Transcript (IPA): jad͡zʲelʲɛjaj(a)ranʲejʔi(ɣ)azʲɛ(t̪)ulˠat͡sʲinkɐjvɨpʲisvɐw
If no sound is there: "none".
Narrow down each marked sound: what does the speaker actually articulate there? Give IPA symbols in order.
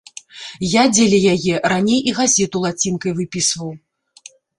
ɛ, ɣ, t̪

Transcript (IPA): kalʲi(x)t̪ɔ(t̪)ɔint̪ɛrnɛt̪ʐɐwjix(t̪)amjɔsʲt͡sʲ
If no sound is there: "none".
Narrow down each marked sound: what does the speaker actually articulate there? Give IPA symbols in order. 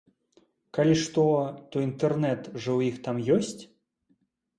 ʂ, t̪, t̪

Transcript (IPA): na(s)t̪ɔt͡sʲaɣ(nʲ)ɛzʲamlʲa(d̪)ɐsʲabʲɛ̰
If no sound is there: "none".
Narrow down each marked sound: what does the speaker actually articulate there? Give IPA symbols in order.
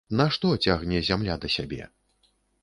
ʂ, nʲ, d̪

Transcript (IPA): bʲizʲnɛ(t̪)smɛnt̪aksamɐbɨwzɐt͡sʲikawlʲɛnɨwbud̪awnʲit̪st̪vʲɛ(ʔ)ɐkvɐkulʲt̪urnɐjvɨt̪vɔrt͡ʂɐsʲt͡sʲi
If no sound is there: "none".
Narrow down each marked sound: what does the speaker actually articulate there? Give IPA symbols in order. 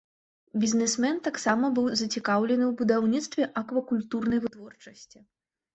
none, ʔ

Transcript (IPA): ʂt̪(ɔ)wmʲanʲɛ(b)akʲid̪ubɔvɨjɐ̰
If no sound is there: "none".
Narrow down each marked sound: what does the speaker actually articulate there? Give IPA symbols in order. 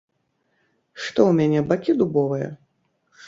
ɔ, b

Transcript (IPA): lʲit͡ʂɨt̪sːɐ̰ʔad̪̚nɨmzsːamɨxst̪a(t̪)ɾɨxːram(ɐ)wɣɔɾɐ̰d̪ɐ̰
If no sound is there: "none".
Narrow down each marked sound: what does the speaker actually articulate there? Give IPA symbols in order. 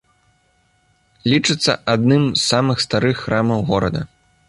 none, ɐ

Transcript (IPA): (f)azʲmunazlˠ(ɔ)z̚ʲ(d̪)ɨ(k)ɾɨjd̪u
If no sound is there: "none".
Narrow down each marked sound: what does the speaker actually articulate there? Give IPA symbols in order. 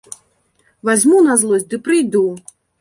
v, ɔ, d̪, p

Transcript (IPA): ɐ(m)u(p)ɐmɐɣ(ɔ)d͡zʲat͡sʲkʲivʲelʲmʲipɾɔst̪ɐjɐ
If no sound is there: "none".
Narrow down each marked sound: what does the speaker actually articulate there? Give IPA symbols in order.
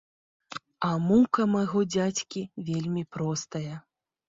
m, k, ɔ

